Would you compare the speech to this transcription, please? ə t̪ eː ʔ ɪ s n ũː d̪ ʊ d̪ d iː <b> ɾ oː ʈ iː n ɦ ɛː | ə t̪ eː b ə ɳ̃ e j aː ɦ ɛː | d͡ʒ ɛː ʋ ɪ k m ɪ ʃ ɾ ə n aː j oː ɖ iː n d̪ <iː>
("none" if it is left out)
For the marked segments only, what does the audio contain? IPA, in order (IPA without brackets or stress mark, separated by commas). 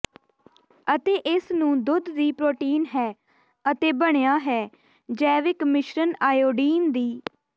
p, iː